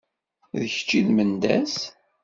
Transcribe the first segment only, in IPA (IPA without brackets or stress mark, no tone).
ð